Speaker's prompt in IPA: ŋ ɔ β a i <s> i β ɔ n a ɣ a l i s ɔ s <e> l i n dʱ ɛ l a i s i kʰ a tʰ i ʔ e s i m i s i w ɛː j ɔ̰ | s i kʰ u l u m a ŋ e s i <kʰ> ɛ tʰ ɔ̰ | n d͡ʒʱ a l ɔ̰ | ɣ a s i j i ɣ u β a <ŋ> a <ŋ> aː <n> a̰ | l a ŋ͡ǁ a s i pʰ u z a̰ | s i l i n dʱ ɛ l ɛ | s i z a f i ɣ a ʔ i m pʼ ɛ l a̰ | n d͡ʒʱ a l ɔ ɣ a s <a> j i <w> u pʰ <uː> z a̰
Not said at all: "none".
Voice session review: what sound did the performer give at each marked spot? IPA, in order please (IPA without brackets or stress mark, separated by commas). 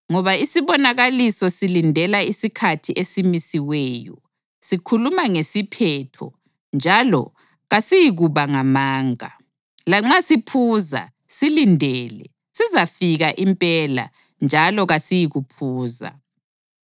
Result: s, i, pʰ, ŋ, m, ŋ, i, ɣ, uː